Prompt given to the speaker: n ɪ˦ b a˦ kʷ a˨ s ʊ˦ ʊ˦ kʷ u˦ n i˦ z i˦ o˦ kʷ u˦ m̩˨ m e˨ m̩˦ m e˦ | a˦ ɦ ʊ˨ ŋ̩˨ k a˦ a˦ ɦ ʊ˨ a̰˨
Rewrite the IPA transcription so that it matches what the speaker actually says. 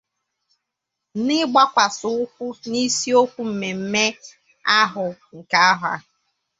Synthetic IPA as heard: n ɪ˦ ɡ͡b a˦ kʷ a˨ s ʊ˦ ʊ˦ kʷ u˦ n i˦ s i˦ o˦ kʷ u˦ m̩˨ m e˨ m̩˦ m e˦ | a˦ ɦ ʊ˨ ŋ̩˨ k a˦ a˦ ɦ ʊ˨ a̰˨

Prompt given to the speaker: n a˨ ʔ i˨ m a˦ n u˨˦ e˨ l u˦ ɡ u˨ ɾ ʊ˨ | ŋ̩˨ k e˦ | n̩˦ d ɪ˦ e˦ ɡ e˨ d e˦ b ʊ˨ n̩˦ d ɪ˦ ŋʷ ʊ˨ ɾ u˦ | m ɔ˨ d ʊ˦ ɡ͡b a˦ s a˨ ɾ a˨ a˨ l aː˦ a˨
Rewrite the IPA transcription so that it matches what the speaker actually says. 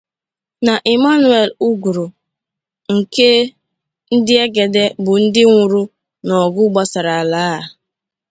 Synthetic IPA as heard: n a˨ ʔ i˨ m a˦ n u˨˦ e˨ l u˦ ɡ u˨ ɾ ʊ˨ | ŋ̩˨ k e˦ | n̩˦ d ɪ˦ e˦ ɡ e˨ d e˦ b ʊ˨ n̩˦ d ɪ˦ ŋʷ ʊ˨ ɾ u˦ | n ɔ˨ ɡ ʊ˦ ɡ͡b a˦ s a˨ ɾ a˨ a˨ l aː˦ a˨

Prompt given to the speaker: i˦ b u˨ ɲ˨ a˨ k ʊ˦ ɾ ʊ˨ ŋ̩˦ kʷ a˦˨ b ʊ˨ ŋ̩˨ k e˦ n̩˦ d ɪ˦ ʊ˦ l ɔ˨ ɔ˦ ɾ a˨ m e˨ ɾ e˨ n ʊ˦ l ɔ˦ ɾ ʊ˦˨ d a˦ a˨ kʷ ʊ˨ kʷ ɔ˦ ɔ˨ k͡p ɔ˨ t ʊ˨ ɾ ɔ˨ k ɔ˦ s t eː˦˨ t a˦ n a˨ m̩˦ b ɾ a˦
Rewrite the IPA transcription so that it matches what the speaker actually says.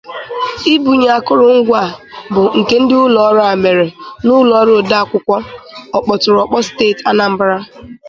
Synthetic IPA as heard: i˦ b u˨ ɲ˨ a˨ k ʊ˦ ɾ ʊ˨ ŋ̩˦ ɡʷ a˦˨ b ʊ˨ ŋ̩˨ k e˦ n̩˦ d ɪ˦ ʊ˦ l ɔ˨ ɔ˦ ɾ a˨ m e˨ ɾ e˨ n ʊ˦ l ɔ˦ ɾ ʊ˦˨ d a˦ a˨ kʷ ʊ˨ kʷ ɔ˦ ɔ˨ k͡p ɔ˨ t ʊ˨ ɾ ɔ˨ k͡p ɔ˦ s t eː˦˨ t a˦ n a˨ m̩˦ b ɾ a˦

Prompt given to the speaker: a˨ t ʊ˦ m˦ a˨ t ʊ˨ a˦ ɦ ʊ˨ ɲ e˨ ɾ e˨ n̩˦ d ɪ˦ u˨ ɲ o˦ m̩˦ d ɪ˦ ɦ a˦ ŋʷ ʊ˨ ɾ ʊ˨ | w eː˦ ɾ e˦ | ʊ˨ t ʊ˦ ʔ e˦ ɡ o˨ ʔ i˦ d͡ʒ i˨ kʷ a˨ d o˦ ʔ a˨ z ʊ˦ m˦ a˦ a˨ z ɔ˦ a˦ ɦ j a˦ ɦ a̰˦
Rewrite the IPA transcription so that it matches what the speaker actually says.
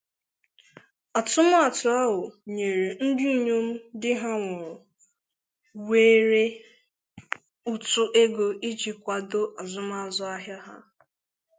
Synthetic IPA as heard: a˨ t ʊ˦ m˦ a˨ t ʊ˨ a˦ ɦ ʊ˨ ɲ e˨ ɾ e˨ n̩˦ d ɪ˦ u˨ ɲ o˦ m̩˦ d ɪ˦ ɦ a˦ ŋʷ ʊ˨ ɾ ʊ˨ | w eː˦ ɾ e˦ | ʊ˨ t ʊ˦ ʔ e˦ ɡ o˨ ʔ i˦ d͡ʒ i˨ kʷ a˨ d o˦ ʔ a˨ z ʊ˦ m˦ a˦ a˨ z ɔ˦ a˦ ɦ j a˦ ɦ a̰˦

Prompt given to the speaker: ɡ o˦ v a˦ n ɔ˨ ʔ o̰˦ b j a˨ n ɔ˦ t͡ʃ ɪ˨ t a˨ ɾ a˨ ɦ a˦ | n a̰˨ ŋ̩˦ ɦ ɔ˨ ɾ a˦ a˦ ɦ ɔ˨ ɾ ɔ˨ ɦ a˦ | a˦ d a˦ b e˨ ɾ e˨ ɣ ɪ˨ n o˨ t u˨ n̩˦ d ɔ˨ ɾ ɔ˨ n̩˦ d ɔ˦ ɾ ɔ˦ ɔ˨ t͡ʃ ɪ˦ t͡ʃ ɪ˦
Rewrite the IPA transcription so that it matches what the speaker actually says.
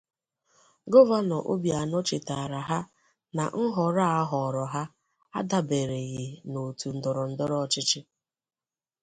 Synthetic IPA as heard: ɡ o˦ v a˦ n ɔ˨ ʔ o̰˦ b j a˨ n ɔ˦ t͡ʃ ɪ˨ t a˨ ɾ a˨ ɦ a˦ | n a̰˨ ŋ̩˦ ɦ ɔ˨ ɾ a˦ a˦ ɦ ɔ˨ ɾ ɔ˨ ɦ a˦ | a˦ d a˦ b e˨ ɾ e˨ ɣ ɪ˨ n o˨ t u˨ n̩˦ d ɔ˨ ɾ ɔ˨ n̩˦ d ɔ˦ ɾ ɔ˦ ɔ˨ t͡ʃ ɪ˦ t͡ʃ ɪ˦

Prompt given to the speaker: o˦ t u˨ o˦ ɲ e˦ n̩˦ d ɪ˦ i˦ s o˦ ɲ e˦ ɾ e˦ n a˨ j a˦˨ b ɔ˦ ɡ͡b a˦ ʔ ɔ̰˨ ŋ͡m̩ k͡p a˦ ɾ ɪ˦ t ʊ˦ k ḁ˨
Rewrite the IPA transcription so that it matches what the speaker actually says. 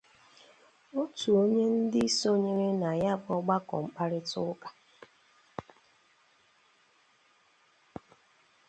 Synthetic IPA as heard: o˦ t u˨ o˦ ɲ e˦ n̩˦ d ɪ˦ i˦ s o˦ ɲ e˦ ɾ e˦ n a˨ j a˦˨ b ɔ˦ ɡ͡b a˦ k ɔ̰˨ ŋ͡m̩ k͡p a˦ ɾ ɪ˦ t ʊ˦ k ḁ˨

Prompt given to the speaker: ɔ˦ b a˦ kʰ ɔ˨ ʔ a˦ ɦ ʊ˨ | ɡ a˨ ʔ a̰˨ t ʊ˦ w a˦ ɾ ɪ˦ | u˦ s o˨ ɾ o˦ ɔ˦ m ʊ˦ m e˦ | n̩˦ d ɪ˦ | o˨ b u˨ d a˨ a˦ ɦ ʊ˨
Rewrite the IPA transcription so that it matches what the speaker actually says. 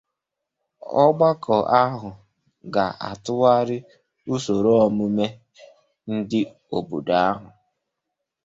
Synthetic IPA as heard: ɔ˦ ɡ͡b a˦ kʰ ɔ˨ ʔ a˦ ɦ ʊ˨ | ɡ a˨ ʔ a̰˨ t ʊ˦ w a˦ ɾ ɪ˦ | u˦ s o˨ ɾ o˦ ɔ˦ m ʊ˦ m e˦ | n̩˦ d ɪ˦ | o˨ b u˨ d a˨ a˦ ɦ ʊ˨

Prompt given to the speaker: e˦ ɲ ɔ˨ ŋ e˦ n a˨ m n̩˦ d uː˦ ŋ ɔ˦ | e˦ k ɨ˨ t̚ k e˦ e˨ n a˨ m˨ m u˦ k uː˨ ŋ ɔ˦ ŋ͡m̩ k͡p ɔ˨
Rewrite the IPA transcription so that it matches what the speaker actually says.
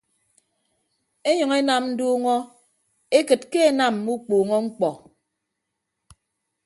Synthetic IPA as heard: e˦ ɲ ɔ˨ ŋ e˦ n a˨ m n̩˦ d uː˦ ŋ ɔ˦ | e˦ k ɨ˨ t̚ k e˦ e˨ n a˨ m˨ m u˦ k͡p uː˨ ŋ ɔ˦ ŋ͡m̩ k͡p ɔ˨

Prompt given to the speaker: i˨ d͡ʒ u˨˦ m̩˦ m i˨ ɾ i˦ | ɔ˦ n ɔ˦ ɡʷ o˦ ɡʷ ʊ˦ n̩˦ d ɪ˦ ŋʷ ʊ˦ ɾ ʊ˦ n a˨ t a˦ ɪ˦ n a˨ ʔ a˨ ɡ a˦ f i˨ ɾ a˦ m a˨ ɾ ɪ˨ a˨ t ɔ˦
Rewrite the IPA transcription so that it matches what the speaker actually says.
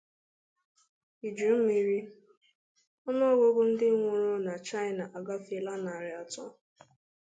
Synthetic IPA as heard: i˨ d͡ʒ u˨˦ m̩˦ m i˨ ɾ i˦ | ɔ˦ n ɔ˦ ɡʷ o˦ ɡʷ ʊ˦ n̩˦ d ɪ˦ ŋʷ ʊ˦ ɾ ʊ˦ n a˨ t͡ʃ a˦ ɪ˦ n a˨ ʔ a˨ ɡ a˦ f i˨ l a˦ n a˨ ɾ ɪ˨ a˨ t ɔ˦

